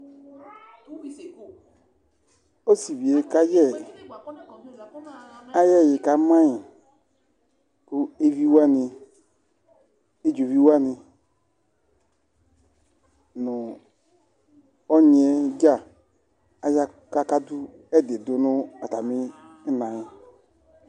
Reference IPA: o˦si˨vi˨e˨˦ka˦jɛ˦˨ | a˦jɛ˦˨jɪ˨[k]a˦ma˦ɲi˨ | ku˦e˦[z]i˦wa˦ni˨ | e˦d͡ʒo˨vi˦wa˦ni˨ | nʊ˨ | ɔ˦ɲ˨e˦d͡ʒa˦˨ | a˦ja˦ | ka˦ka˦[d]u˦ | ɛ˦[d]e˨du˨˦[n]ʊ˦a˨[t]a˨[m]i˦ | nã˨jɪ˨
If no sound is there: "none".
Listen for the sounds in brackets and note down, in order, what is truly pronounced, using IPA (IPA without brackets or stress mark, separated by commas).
k, v, d, d, n, t, m